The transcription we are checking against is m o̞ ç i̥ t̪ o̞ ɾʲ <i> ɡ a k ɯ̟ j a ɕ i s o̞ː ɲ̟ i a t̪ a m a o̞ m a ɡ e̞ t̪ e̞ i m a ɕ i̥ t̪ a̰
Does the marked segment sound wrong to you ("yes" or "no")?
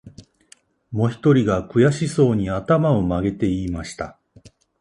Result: no